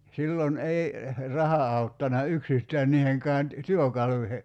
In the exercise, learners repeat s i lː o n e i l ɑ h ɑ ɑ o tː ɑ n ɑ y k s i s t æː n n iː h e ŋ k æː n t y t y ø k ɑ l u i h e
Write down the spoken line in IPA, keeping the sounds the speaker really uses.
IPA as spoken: s i lː o n e i r ɑ h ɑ ɑ u tː ɑ n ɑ y k s i s t æː n n iː h e ŋ k æː n t y t y ø k ɑ l u i h e